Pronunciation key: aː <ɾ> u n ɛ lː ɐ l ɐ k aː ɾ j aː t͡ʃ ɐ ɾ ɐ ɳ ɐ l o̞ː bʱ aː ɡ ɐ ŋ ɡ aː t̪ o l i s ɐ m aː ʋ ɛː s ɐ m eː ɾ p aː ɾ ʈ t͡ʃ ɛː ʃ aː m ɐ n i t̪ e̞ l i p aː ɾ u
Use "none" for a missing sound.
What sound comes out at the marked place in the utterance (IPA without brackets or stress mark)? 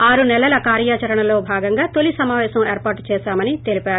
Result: ɾ